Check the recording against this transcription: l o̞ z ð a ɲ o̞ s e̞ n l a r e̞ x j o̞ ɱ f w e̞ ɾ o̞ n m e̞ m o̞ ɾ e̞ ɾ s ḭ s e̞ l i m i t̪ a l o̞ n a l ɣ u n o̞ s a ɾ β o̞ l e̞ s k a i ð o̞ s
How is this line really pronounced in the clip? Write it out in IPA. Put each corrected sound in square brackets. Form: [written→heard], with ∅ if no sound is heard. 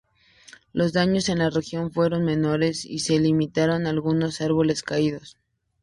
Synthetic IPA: l o̞ z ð a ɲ o̞ s e̞ n l a r e̞ x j o̞ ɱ f w e̞ ɾ o̞ n m e̞ [m→n] o̞ ɾ e̞ [ɾ→∅] s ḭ s e̞ l i m i t̪ a [l→ɾ] o̞ n a l ɣ u n o̞ s a ɾ β o̞ l e̞ s k a i ð o̞ s